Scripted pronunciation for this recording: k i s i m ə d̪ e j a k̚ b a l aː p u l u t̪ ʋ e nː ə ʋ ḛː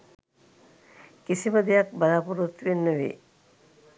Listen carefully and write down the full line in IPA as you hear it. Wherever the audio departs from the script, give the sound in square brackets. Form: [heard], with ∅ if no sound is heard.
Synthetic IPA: k i s i m ə d̪ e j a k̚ b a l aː p u [ɾ] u t̪ ʋ e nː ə ʋ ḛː